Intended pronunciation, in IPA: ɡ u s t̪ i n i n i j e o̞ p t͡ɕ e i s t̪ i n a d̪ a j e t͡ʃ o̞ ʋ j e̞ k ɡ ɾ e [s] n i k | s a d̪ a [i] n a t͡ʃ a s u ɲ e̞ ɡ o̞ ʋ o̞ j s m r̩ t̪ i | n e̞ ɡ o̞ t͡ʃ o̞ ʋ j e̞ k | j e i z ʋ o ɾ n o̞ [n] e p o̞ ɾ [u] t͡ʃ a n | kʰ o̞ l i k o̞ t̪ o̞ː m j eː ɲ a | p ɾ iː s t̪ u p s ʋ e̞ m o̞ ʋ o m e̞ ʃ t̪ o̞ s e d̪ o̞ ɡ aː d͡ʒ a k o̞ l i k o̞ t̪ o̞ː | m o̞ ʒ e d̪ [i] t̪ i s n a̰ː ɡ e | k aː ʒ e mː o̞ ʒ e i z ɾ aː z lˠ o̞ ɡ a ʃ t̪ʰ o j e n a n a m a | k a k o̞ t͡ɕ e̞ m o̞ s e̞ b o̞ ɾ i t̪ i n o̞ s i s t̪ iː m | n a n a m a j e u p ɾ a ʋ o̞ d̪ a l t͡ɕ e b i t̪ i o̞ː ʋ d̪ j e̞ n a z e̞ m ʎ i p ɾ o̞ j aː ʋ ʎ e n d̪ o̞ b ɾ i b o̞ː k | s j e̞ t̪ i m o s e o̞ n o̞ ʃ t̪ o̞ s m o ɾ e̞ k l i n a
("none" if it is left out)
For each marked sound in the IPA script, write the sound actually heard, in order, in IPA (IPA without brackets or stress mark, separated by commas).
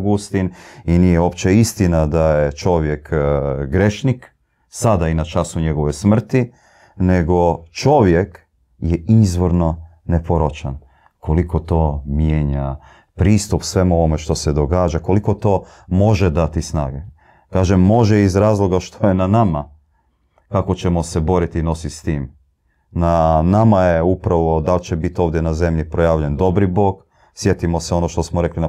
ʃ, i, n, o, a